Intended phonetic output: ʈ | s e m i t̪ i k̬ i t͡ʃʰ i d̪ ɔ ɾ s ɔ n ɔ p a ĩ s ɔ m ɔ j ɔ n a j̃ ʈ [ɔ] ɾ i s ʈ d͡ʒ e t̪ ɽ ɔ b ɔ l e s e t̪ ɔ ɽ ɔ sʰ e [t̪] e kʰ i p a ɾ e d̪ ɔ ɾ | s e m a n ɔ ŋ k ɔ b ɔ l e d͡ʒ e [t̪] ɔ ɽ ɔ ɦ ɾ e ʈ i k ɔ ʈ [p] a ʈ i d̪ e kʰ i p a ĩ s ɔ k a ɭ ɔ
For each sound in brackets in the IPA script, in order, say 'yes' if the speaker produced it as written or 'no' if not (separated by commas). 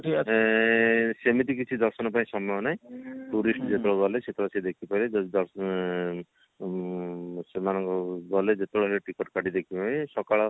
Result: no, no, yes, no